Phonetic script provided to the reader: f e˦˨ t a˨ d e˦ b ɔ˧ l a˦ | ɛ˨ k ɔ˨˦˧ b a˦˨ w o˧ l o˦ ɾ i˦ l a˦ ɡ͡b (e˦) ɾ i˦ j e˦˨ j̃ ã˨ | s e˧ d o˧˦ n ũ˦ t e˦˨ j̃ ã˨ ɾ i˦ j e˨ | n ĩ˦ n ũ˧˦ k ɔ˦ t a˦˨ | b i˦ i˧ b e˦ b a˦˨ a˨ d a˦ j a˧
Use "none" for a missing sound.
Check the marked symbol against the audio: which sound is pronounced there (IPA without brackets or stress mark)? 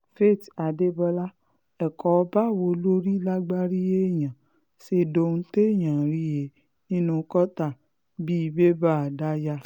a˦